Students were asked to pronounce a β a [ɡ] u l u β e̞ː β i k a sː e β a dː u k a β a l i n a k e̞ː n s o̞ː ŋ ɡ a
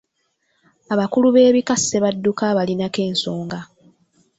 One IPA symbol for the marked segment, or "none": k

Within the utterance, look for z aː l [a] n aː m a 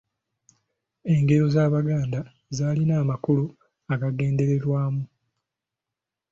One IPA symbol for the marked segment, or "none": i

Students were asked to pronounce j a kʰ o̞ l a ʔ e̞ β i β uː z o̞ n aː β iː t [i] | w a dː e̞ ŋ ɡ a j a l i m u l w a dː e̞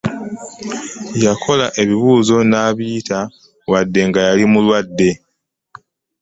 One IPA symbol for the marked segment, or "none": a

